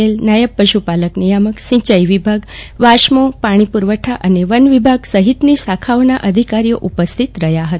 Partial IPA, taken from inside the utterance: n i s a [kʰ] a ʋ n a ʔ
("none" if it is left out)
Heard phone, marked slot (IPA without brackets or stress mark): kʰ